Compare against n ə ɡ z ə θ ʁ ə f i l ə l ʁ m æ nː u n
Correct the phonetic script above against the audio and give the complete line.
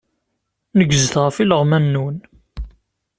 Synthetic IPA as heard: n ə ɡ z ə θ ʁ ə f i l ə ʁ m æ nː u n

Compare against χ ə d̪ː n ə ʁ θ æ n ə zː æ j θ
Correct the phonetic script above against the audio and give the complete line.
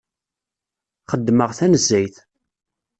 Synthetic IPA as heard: χ ə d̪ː m ə ʁ θ æ n ə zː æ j θ

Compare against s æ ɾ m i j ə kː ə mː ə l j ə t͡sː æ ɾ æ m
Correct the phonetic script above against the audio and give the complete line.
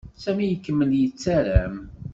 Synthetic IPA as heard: s æ m i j ə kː ə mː ə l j ə t͡sː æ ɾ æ m

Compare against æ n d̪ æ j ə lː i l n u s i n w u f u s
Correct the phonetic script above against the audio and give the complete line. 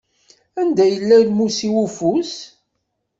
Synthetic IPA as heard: æ n d̪ æ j ə lː æ l m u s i w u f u s

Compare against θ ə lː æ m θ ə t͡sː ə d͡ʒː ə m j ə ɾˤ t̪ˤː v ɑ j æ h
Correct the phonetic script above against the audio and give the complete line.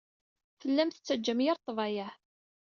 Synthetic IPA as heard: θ ə lː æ m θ ə t͡sː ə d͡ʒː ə m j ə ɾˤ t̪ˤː v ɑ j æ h

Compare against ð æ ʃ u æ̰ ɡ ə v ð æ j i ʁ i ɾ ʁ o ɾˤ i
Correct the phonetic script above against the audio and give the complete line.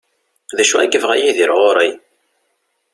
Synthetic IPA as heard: ð æ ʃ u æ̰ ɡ ə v ʁ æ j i ð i ɾ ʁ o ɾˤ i

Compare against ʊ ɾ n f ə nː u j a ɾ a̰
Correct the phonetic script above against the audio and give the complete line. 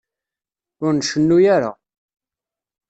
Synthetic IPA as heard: ʊ ɾ n ʃ ə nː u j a ɾ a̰

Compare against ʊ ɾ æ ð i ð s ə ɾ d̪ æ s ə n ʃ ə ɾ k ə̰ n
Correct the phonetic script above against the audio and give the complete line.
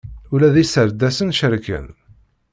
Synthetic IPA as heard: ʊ l æ ð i s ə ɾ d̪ æ s ə n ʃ ə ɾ k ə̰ n

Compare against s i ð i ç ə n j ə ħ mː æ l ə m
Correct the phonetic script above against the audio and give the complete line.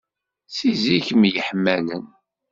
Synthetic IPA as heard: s i z i ç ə m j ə ħ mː æ l ə n

